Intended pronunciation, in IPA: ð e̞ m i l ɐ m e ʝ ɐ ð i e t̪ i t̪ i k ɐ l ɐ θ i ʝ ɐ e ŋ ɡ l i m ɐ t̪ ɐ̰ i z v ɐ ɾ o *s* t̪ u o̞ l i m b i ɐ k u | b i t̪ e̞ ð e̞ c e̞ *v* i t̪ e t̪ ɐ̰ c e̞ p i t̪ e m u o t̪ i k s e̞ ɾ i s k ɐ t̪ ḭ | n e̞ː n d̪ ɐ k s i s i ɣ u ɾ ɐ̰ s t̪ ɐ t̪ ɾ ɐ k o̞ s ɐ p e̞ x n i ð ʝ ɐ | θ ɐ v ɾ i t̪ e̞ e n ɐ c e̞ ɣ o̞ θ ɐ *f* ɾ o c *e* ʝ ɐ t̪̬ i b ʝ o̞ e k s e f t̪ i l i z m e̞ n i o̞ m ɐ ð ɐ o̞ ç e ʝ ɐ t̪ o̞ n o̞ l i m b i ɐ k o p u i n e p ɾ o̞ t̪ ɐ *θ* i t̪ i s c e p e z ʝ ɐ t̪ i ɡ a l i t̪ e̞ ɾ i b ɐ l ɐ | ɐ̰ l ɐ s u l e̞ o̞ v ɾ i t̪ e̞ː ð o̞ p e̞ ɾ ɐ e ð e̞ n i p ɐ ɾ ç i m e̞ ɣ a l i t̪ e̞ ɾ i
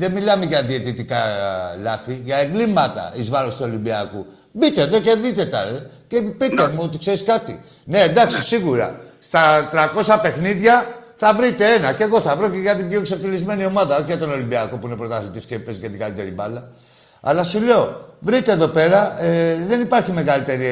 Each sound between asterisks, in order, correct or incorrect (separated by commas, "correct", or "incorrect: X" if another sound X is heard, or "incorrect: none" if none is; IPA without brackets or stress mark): correct, incorrect: ð, incorrect: v, correct, correct